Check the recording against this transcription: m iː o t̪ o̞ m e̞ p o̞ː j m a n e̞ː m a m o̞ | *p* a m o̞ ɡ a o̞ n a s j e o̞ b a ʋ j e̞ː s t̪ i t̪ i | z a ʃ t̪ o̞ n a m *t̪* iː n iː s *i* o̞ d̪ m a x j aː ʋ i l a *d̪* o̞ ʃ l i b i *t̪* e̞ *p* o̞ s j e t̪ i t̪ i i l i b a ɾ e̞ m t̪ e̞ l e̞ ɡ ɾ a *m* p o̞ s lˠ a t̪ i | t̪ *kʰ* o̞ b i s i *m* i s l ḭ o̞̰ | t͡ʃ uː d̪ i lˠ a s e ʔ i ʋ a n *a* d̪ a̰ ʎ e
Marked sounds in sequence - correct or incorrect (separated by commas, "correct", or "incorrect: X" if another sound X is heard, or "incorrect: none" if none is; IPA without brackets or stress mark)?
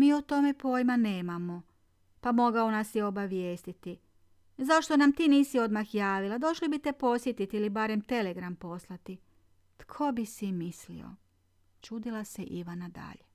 correct, correct, correct, correct, correct, correct, correct, correct, correct, correct